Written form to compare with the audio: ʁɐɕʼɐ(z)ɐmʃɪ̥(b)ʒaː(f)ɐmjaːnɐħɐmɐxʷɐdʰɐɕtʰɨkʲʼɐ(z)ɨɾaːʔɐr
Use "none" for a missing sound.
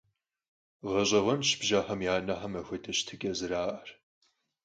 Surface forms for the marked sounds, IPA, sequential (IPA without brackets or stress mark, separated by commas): ʁ, b, ħ, z